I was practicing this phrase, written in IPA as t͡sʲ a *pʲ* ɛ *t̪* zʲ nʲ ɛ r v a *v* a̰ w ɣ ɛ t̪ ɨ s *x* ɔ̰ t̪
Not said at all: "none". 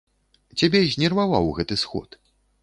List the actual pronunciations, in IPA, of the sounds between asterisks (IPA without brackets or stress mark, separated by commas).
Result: bʲ, none, v, x